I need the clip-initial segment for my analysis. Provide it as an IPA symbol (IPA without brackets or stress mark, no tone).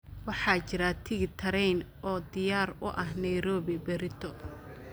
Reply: w